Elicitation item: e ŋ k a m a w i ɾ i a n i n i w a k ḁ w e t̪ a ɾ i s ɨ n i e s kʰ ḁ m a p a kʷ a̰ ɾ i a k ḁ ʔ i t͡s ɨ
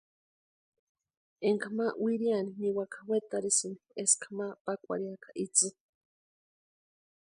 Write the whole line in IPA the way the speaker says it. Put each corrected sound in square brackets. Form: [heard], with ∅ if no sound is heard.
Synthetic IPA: e ŋ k a m a w i ɾ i a n i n i w a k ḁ w e t̪ a ɾ i s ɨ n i e s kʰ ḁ m a p a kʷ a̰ ɾ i a k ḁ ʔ i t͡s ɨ

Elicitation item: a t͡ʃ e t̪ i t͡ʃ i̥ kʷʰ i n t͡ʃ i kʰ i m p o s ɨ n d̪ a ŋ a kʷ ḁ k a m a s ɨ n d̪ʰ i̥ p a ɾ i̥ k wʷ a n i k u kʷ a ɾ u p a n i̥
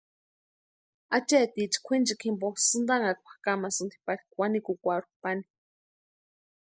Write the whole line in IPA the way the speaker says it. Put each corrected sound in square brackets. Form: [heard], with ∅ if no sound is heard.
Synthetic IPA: a t͡ʃ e t̪ i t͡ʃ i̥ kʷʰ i n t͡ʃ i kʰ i m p o s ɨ n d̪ a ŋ a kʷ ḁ k a m a s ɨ n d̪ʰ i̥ p a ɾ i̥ k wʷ a n i k u kʷ a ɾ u p a n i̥

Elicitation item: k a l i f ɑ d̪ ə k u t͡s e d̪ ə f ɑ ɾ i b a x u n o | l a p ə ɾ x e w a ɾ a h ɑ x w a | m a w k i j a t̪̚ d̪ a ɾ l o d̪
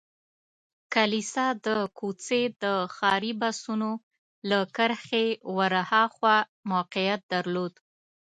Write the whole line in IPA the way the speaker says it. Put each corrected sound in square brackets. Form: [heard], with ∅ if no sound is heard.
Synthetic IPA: k a l i [s] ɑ d̪ ə k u t͡s e d̪ ə [x] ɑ ɾ i b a [s] u n o | l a [k] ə ɾ x e w a ɾ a h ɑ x w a | m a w [q] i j a t̪̚ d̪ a ɾ l o d̪

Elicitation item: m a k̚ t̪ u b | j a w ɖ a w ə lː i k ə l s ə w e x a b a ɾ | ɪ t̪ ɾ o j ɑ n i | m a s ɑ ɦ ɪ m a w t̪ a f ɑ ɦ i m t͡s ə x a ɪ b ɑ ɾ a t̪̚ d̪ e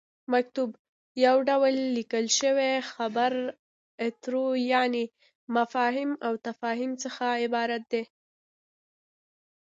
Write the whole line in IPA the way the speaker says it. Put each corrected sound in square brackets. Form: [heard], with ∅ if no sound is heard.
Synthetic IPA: m a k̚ t̪ u b | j a w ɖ a w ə lː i k ə l [ʃ] ə w e x a b a ɾ | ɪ t̪ ɾ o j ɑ n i | m a [f] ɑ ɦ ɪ m a w t̪ a f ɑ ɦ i m t͡s ə x a ɪ b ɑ ɾ a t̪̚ d̪ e

